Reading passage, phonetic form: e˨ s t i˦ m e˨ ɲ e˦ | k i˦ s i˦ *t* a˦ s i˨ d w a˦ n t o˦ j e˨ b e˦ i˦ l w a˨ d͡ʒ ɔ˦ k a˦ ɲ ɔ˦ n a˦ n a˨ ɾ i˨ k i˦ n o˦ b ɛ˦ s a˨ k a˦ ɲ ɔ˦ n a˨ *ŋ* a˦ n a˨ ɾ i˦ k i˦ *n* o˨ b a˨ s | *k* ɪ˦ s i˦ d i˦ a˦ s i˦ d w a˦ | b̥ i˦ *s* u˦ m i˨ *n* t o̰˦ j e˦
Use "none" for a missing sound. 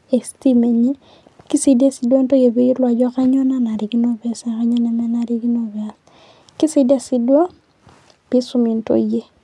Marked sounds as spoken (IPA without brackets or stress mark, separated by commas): d, n, n, k, s, n